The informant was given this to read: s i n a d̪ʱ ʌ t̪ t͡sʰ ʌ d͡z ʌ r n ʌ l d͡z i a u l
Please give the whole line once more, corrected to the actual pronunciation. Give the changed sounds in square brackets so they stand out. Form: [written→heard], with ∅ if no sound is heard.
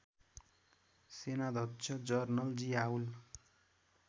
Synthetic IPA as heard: s [i→e] n a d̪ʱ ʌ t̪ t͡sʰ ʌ d͡z ʌ r n ʌ l d͡z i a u l